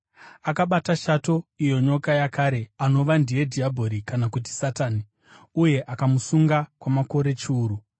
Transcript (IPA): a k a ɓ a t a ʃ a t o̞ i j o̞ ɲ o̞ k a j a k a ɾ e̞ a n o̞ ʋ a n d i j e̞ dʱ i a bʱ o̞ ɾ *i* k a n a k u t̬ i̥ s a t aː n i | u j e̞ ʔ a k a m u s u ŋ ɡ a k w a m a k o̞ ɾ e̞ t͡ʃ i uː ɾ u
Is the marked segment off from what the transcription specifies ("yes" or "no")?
no